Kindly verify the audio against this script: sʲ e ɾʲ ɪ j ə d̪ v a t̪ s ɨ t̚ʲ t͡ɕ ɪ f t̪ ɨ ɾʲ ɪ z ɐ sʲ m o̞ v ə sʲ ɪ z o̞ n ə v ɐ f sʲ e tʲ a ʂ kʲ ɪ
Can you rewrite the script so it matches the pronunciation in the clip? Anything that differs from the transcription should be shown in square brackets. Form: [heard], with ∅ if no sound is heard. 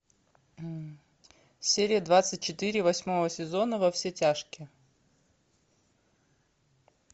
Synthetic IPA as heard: sʲ e ɾʲ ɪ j ə d̪ v a t̪ s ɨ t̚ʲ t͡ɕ ɪ [∅] t̪ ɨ ɾʲ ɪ [v] ɐ sʲ m o̞ v ə sʲ ɪ z o̞ n ə v ɐ f sʲ e tʲ a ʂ kʲ ɪ